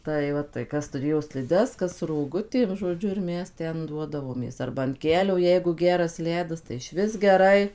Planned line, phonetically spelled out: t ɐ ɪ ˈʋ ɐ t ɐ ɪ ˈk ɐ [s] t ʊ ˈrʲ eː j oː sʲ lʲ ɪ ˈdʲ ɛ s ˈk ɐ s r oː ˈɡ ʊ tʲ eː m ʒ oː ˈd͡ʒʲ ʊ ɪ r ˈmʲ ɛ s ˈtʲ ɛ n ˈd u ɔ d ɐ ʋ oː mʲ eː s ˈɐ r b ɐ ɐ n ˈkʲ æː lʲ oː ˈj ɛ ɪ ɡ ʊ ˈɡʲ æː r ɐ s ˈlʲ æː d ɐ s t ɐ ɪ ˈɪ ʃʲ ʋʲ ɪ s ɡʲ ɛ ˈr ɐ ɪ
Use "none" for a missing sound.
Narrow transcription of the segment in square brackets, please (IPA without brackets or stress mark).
s